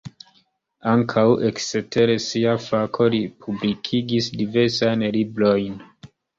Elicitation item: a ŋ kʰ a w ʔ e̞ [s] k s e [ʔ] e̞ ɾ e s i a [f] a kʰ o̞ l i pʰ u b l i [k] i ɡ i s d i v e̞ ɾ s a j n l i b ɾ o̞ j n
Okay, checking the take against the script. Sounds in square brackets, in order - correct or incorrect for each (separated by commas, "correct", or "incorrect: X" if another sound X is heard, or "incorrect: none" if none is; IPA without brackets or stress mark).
incorrect: none, incorrect: t, correct, incorrect: kʰ